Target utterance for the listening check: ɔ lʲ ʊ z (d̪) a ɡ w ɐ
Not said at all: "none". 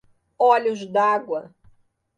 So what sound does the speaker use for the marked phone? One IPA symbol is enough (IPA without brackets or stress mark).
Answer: d̪